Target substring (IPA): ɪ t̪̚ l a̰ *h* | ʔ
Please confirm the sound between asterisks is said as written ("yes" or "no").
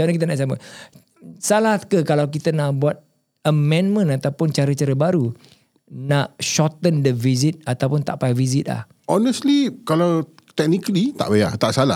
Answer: yes